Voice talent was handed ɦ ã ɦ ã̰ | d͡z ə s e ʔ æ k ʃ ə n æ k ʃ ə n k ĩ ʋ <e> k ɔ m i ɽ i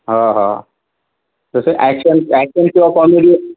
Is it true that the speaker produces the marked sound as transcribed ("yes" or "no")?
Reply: no